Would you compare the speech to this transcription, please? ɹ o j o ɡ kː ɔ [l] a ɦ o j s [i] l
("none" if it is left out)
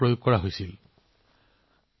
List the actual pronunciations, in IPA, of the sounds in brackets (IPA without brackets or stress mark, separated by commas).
ɹ, i